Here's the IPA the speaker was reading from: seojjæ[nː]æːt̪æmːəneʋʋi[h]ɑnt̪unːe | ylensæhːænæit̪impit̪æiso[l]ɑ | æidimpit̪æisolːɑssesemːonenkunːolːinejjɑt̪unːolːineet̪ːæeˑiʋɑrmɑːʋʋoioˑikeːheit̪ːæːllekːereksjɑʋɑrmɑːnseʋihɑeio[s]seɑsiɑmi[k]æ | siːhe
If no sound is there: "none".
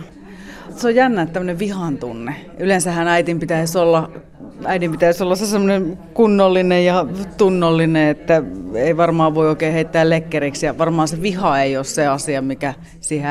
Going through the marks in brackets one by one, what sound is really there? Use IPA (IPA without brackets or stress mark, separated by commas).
nː, h, lː, s, k